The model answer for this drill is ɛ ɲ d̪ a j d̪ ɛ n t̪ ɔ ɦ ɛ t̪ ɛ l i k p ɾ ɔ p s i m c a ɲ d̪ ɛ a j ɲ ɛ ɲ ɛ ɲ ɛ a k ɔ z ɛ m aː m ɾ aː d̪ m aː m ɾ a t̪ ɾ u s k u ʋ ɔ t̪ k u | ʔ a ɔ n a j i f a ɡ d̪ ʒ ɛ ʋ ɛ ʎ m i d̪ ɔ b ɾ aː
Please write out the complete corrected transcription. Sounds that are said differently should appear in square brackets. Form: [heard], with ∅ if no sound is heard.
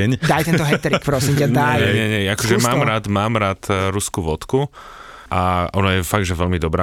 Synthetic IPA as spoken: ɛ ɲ d̪ a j [t̪] ɛ n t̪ ɔ ɦ ɛ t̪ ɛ [ɾ] i k p ɾ ɔ [∅] s i m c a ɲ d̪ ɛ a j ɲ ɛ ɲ ɛ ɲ ɛ a k ɔ [ʒ] ɛ m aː m ɾ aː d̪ m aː m ɾ a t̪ ɾ u s k u ʋ ɔ t̪ k u | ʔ a ɔ n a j [ɛ] f a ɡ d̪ ʒ ɛ ʋ ɛ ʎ m i d̪ ɔ b ɾ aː